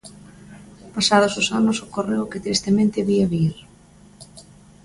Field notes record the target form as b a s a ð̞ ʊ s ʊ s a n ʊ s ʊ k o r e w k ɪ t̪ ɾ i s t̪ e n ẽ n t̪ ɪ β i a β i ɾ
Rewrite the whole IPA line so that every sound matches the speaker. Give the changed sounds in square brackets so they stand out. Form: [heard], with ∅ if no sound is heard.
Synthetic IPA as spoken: [p] a s a ð̞ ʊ s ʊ s a n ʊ s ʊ k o r e w k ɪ t̪ ɾ i s t̪ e [m] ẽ n t̪ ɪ β i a β i ɾ